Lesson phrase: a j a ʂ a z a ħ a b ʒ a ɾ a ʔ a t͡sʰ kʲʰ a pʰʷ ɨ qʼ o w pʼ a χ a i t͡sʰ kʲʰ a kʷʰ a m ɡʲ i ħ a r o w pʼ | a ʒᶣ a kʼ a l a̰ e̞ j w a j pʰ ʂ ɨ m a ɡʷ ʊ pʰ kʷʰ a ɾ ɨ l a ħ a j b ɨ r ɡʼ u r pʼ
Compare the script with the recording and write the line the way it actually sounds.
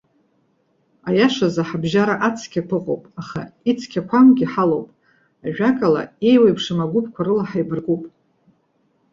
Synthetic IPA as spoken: a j a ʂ a z a ħ a b ʒ a ɾ a ʔ a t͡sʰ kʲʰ a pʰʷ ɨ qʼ o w pʼ a χ a i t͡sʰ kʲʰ a kʷʰ a m ɡʲ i ħ a l o w pʼ | a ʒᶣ a kʼ a l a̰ e̞ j w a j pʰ ʂ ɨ m a ɡʷ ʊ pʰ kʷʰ a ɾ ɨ l a ħ a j b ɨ r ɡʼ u pʼ